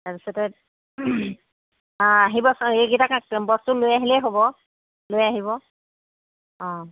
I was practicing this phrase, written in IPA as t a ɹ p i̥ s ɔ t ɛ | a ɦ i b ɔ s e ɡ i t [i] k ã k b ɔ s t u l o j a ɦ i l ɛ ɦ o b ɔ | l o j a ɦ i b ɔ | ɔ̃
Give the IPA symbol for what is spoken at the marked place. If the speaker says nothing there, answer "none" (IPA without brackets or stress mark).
a